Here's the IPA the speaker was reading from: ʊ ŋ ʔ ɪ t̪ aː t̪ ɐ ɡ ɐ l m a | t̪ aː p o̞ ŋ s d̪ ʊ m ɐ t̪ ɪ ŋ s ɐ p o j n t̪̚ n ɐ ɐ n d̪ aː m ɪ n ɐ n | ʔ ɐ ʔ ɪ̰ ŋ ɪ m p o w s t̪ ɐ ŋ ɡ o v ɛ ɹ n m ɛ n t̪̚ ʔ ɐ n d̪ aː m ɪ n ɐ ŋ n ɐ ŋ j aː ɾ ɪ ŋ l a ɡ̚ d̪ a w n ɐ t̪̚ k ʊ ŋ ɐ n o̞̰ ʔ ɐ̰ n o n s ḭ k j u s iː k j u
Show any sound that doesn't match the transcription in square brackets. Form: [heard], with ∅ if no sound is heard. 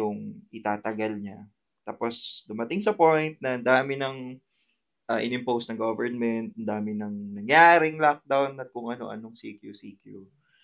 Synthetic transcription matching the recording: ʊ ŋ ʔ ɪ t̪ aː t̪ ɐ ɡ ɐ l [ɲ] a | t̪ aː p o̞ [∅] s d̪ ʊ m ɐ t̪ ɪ ŋ s ɐ p o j n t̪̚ n ɐ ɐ n d̪ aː m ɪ n ɐ [ŋ] | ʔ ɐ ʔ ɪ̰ [n] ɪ m p o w s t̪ ɐ ŋ ɡ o v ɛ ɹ n m ɛ n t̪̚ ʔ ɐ n d̪ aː m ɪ n ɐ ŋ n ɐ ŋ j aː ɾ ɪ ŋ l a [k̚] d̪ a w n ɐ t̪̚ k ʊ ŋ ɐ n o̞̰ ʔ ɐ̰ n o [ŋ] s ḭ k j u s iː k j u